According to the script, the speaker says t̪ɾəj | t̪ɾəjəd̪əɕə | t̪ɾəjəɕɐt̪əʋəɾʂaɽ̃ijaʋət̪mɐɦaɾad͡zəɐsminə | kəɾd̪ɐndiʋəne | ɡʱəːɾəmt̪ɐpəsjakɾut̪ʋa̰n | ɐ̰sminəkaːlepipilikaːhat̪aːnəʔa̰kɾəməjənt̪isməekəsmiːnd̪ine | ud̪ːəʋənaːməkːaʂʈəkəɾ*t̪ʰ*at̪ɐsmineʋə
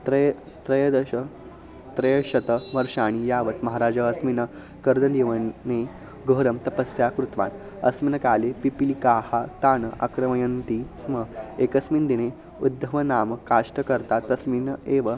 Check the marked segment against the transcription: incorrect: t̪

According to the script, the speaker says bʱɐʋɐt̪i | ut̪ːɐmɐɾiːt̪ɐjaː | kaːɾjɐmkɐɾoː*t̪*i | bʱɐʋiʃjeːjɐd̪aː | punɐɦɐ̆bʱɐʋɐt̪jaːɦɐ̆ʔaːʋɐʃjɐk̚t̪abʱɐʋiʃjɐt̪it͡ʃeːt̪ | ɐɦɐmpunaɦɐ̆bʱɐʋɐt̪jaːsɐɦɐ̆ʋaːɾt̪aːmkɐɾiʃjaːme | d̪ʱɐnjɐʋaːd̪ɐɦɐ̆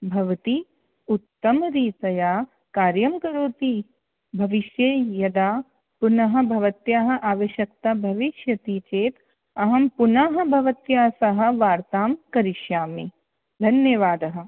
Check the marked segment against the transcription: correct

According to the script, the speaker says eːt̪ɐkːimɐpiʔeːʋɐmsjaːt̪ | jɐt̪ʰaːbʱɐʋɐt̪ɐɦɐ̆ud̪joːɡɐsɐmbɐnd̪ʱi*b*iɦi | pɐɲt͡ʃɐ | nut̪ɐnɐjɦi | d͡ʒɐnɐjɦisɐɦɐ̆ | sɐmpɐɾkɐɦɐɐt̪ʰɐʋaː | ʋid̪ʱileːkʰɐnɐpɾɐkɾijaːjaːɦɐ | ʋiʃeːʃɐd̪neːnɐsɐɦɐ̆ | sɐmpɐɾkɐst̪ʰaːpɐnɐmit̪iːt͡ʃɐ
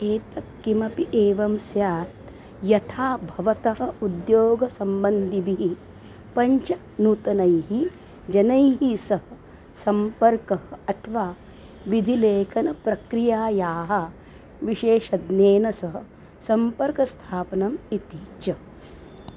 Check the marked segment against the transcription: correct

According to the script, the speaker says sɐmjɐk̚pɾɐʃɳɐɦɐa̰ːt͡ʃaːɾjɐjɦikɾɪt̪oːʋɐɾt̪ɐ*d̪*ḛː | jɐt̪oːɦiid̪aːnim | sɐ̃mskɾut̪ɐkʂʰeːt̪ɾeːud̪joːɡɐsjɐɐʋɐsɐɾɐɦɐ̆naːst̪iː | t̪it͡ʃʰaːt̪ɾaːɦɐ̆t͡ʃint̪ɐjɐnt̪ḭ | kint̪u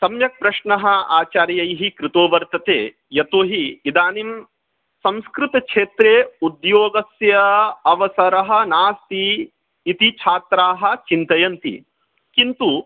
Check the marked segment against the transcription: incorrect: t̪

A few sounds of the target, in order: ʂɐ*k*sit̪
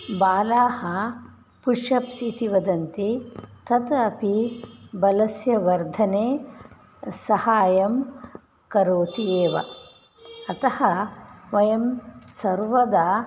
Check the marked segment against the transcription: incorrect: p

